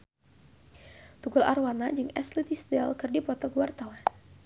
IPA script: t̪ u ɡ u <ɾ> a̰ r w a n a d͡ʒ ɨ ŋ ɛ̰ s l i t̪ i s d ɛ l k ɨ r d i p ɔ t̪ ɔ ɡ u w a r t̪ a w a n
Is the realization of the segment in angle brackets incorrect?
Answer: yes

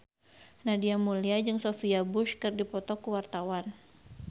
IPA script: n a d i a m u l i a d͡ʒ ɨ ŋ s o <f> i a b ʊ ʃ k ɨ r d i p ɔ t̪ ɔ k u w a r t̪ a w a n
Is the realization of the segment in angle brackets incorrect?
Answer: no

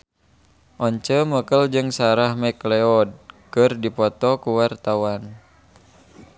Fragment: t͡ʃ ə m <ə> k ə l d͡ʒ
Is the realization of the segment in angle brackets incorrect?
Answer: no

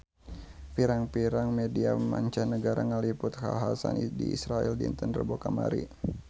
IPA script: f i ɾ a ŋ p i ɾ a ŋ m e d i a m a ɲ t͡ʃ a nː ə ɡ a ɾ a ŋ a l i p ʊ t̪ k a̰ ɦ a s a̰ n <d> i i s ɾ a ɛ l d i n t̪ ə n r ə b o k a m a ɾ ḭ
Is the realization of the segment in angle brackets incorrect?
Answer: no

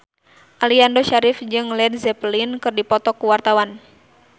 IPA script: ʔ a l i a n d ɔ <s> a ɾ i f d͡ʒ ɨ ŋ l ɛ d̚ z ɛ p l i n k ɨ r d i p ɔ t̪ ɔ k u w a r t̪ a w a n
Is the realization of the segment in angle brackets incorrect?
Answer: yes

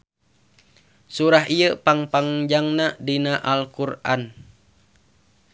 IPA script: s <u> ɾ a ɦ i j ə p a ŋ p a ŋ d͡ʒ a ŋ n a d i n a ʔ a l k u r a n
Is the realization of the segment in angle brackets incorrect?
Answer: no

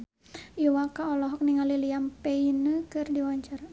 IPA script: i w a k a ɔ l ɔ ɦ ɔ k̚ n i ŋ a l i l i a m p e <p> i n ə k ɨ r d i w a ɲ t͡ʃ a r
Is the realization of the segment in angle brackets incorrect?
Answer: yes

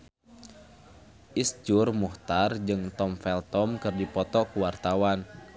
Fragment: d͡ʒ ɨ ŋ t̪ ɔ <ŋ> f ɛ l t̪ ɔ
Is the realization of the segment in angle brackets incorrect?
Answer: yes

